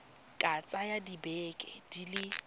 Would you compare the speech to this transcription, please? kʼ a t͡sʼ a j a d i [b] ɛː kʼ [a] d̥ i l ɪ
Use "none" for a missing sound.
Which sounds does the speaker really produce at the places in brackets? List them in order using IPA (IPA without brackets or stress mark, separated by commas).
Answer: b, ɛ